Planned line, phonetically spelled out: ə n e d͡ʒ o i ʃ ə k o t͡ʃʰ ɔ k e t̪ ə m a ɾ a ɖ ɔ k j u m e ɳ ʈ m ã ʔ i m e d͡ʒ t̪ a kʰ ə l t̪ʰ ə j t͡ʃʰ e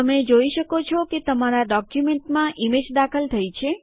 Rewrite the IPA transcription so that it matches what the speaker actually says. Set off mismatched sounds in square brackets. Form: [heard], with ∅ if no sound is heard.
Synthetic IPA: ə [m] e d͡ʒ o i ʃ ə k o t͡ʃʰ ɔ k e t̪ ə m a ɾ a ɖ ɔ k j u m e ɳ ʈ m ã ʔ i m e d͡ʒ [d̪] a kʰ ə l t̪ʰ ə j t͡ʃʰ e